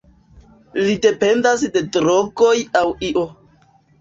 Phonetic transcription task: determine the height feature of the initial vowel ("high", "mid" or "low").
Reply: high